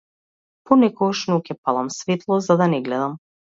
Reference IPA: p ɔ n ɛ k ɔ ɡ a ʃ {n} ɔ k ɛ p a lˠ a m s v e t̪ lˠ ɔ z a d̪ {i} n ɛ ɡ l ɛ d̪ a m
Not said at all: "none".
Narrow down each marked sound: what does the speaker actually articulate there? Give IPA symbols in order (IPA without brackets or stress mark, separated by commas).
n, a